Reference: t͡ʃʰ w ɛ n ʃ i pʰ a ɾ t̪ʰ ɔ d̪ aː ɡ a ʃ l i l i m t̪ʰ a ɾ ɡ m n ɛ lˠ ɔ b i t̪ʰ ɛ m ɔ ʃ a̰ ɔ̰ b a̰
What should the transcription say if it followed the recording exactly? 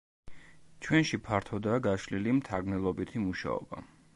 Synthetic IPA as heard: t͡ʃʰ w ɛ n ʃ i pʰ a ɾ t̪ʰ ɔ d̪ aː ɡ a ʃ l i l i m t̪ʰ a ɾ ɡ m n ɛ lˠ ɔ b i t̪ʰ i m u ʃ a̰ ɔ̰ b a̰